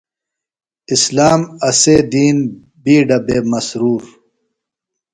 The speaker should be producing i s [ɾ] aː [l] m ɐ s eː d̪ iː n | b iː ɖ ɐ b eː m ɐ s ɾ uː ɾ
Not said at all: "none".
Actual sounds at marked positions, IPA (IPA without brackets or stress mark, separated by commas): l, none